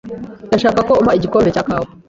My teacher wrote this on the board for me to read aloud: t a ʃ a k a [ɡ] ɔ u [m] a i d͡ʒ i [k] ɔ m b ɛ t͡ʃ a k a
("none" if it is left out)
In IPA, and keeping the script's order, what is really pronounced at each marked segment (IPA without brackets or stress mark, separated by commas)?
k, m, k